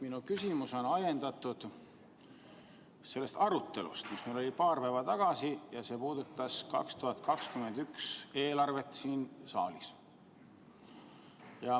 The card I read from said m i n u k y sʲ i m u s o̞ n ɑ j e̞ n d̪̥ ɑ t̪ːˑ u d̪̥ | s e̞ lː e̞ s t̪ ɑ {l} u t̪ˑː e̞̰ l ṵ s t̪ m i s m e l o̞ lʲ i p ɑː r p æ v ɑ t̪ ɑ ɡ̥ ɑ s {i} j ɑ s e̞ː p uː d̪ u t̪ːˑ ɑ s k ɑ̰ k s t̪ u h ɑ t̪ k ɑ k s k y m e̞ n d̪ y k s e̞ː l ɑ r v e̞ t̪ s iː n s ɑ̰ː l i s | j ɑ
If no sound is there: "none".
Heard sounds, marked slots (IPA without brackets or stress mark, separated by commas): ɾ, i